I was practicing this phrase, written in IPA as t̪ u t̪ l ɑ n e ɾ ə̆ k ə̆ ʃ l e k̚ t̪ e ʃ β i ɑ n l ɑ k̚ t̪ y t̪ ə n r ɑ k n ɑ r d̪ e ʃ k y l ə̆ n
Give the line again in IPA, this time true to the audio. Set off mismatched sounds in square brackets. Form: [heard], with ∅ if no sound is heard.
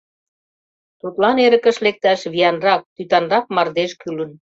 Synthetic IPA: t̪ u t̪ l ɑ n e ɾ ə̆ k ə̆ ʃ l e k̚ t̪ [æ] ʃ β i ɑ n [r] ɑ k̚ t̪ y t̪ [ɑ] n r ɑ k [m] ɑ r d̪ e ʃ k y l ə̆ n